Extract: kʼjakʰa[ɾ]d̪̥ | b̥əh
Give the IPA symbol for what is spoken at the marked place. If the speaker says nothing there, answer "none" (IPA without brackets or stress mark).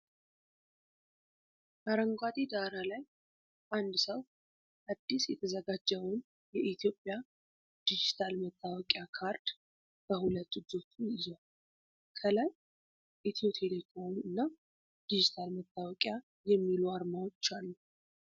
ɾ